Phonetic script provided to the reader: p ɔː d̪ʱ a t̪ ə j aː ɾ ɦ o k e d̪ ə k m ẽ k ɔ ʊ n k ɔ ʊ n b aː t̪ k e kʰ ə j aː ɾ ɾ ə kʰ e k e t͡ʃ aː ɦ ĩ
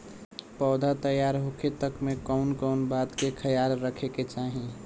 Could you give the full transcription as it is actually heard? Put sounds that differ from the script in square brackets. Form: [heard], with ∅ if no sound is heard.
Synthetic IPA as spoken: p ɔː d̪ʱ a t̪ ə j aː ɾ ɦ o k e [t̪] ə k m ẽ k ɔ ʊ n k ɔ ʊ n b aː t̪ k e kʰ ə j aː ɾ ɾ ə kʰ e k e t͡ʃ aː ɦ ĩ

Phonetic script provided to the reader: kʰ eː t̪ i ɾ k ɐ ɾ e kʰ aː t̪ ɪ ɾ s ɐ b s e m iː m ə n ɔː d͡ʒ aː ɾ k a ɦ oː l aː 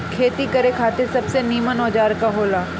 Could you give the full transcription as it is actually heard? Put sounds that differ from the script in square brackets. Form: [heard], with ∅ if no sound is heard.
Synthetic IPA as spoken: kʰ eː t̪ i [∅] k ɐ ɾ e kʰ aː t̪ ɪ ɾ s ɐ b s e [n] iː m ə n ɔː d͡ʒ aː ɾ k a ɦ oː l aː

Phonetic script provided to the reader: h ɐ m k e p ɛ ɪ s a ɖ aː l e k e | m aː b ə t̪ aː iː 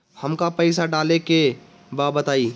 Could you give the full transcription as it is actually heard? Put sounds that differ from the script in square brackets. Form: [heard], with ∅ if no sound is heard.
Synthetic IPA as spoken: h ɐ m k [a] p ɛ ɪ s a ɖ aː l e k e | [b] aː b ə t̪ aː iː

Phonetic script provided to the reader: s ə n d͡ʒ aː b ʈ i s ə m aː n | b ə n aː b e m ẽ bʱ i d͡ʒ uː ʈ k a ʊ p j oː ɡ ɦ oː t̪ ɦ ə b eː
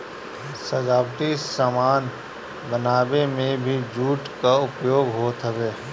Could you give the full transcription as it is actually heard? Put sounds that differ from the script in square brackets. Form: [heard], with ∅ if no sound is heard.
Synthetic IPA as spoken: s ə [∅] d͡ʒ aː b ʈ i s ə m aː n | b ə n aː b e m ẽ bʱ i d͡ʒ uː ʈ k a ʊ p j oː ɡ ɦ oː t̪ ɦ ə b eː

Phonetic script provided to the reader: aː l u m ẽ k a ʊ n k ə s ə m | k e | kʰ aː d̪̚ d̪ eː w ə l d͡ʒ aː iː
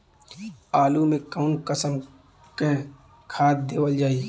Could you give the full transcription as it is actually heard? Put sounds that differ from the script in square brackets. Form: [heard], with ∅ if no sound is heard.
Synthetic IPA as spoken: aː l u m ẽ k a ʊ n k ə s ə m | k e | kʰ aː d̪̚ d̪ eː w ə l d͡ʒ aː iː

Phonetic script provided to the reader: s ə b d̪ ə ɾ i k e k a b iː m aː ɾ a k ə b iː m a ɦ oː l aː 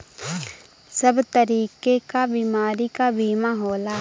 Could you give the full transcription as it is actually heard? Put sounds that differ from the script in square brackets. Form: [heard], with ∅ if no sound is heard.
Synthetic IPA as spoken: s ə b [t̪] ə ɾ [iː] k e k a b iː m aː ɾ [i] k [a] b iː m a ɦ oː l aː

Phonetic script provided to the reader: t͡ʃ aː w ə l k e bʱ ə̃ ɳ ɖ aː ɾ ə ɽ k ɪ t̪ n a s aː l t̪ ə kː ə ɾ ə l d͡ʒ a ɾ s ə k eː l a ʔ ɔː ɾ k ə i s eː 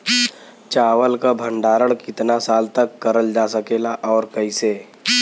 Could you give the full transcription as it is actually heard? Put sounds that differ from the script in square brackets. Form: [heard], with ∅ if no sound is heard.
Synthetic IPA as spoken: t͡ʃ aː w ə l k [a] bʱ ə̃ ɳ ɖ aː ɾ ə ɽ k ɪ t̪ n a s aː l t̪ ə kː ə ɾ ə l d͡ʒ a [∅] s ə k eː l a ʔ ɔː ɾ k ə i s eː

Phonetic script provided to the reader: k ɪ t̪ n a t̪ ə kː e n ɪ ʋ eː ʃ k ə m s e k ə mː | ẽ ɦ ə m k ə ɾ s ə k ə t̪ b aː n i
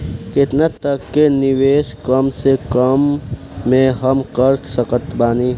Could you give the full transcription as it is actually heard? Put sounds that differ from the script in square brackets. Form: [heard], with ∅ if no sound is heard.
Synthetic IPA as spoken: k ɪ t̪ n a t̪ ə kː e n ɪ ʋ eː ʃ k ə m s e k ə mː | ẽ ɦ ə m k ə ɾ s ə k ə t̪ b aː n i

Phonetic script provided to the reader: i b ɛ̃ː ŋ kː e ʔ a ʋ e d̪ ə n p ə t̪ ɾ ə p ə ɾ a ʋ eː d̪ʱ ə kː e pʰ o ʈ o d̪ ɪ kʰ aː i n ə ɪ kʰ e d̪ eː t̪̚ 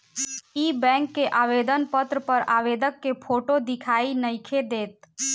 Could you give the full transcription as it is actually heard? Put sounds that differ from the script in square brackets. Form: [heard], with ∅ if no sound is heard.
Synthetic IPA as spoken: i b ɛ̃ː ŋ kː e ʔ a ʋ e d̪ ə n p ə t̪ ɾ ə p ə ɾ a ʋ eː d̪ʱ ə kː e pʰ o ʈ o d̪ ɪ kʰ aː i n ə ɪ kʰ e d̪ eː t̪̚

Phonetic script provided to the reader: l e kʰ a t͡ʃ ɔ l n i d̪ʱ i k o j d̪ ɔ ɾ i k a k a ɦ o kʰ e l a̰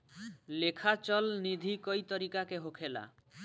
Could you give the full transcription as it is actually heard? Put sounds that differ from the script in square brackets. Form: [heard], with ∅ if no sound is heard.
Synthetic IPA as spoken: l e kʰ a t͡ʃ ɔ l n i d̪ʱ i k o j [t̪] ɔ ɾ i k a k [e] ɦ o kʰ e l a̰

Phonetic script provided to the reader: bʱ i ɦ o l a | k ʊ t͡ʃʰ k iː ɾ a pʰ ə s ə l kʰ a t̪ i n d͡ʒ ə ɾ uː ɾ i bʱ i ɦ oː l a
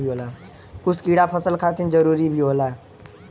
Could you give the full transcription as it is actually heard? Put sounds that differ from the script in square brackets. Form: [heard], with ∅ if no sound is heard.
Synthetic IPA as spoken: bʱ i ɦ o l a | k ʊ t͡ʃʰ k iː [ɽ] a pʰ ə s ə l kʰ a t̪ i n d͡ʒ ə ɾ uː ɾ i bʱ i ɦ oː l a

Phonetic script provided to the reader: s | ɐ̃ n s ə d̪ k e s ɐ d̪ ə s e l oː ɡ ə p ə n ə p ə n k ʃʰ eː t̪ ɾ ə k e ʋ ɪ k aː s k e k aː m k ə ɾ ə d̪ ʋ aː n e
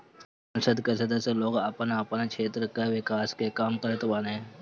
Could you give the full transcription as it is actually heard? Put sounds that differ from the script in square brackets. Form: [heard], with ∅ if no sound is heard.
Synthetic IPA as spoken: s | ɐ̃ n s ə d̪ k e s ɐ d̪ ə s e l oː ɡ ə p ə n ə p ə n k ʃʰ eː t̪ ɾ ə k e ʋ ɪ k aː s k e k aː m k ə ɾ ə [t̪] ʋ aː n e

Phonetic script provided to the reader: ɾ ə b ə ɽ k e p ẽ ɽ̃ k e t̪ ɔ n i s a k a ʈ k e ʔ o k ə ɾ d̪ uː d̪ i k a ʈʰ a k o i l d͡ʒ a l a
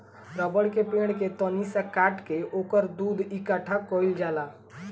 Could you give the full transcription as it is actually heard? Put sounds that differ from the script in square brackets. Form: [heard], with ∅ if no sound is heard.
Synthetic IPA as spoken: ɾ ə b ə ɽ k e p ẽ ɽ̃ k e t̪ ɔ n i s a k a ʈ k e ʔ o k ə ɾ d̪ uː d̪ i k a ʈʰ a k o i l d͡ʒ a l a

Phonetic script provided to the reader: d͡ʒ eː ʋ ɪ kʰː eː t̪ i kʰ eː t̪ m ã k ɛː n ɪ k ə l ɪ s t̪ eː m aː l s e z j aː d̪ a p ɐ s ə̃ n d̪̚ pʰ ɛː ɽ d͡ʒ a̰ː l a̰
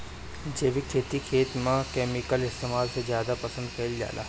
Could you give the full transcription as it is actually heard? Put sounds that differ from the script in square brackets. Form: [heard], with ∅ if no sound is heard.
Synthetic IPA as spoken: d͡ʒ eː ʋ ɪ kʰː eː t̪ i kʰ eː t̪ m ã k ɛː [m] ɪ k ə l ɪ s t̪ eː m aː l s e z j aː d̪ a p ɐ s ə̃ n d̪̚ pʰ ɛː [l] d͡ʒ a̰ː l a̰

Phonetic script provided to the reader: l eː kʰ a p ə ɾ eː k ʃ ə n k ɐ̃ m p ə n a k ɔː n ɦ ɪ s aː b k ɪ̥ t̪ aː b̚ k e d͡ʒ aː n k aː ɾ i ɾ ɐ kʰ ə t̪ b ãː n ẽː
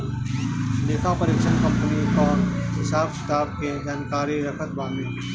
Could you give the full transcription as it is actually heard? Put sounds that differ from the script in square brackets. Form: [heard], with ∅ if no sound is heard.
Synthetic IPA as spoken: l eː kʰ a p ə ɾ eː k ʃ ə n k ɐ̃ m p ə n [i] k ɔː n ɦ ɪ s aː b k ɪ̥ t̪ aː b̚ k e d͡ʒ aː n k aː ɾ i ɾ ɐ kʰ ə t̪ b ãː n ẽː

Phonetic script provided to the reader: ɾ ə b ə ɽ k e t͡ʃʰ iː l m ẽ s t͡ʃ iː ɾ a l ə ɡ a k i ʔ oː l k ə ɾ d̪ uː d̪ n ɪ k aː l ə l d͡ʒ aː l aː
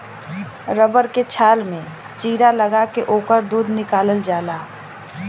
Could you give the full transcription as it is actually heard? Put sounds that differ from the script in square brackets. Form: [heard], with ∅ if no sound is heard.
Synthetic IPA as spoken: ɾ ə b ə [ɾ] k e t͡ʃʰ [aː] l m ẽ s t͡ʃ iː ɾ a l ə ɡ a k [e] ʔ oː [∅] k ə ɾ d̪ uː d̪ n ɪ k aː l ə l d͡ʒ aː l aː

